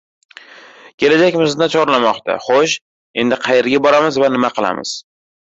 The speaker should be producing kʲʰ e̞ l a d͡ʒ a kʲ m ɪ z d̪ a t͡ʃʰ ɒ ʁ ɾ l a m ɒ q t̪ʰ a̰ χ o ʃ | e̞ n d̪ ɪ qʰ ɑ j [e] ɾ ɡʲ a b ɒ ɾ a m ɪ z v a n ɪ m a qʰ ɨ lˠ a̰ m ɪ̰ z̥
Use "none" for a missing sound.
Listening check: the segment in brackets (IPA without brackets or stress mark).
e